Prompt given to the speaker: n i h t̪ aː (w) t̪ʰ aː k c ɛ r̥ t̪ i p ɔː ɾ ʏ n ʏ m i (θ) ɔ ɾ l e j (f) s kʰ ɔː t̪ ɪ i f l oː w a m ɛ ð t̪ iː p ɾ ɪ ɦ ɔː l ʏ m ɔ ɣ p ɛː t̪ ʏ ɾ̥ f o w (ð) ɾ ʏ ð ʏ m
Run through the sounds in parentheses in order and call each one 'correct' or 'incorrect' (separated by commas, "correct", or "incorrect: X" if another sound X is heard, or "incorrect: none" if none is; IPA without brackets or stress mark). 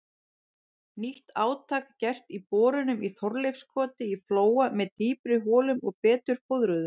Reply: correct, correct, correct, correct